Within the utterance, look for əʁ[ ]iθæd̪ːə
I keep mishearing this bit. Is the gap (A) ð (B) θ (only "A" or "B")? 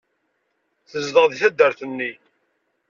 A